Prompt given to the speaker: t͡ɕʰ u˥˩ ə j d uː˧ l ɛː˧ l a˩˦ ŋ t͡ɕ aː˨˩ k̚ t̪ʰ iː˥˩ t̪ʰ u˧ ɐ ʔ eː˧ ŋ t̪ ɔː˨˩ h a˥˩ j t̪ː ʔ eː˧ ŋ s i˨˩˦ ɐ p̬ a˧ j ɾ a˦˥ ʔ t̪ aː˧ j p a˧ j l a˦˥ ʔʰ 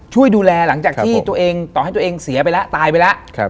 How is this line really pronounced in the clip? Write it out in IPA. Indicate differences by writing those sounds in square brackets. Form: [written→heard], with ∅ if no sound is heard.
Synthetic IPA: t͡ɕʰ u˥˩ ə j d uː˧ l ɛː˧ l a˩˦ ŋ t͡ɕ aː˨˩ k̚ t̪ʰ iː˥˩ [t̪ʰ→t̪] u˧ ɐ ʔ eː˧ ŋ t̪ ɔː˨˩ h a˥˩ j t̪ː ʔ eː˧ ŋ s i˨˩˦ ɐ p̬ a˧ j [ɾ→l] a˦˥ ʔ t̪ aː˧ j p a˧ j l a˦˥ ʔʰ